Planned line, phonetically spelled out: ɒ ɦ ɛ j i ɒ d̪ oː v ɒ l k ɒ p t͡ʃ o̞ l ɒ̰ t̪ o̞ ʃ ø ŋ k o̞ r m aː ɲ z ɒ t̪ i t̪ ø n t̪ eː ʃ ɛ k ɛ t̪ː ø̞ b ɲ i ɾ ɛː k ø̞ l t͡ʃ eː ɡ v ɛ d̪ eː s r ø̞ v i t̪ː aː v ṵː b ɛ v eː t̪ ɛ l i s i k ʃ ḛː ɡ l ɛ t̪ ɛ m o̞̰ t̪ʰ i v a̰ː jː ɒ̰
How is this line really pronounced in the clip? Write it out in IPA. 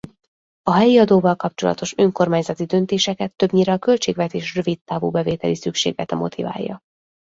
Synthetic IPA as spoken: ɒ ɦ ɛ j i ɒ d̪ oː v ɒ l k ɒ p t͡ʃ o̞ l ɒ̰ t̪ o̞ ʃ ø ŋ k o̞ r m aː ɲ z ɒ t̪ i d̪ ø n t̪ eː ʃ ɛ k ɛ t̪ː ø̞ b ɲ i ɾ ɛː k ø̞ l t͡ʃ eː ɡ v ɛ t̪ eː ʃ r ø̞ v i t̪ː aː v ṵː b ɛ v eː t̪ ɛ l i s y k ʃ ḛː ɡ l ɛ t̪ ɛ m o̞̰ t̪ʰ i v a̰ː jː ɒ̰